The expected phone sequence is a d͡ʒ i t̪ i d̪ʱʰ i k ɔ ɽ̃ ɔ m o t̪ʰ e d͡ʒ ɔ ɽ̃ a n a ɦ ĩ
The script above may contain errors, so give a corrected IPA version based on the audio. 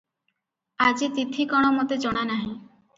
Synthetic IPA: a d͡ʒ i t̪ i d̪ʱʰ i k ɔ ɽ̃ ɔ m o t̪ e d͡ʒ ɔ ɽ̃ a n a ɦ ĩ